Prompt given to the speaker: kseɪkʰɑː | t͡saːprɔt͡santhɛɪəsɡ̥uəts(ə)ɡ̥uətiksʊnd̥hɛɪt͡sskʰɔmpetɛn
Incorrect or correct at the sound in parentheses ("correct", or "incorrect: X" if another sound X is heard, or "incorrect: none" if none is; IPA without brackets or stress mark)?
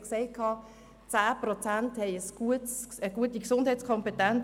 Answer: correct